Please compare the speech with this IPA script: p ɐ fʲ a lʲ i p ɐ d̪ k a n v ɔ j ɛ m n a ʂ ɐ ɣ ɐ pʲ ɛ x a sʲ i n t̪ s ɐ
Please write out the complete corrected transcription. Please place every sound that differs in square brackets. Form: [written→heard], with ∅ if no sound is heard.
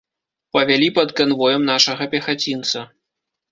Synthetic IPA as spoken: p ɐ [fʲ→vʲ] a lʲ i p ɐ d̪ k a n v ɔ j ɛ m n a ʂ ɐ ɣ ɐ pʲ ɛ x a [sʲ→t͡sʲ] i n t̪ s ɐ